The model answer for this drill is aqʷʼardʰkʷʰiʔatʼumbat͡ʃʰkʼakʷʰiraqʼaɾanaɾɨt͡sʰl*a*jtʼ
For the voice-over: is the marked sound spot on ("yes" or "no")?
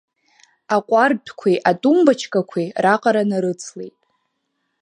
no